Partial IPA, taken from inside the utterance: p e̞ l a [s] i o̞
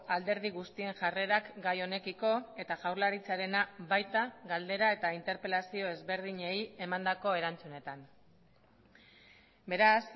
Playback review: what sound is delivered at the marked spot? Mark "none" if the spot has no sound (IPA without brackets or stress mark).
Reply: s